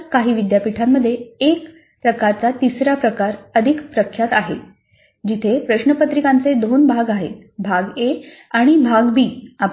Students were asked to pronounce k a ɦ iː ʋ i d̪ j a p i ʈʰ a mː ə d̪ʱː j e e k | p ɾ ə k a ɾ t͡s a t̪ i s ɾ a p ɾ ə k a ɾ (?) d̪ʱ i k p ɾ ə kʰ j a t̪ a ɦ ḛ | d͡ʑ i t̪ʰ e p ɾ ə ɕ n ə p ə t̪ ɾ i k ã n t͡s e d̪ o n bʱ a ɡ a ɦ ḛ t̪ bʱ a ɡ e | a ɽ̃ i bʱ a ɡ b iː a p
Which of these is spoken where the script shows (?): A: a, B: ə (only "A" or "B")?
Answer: B